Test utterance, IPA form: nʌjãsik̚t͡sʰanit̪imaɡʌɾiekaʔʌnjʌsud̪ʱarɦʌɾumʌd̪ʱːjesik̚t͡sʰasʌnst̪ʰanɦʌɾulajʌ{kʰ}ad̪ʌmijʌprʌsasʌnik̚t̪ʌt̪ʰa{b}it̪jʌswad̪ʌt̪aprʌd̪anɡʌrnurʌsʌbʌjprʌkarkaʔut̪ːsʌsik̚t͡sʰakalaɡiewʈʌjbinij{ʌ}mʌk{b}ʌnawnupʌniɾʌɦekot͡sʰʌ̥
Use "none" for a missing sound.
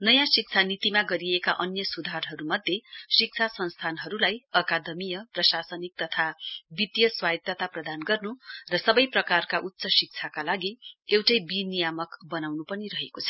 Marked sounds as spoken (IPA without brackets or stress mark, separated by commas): k, b, a, b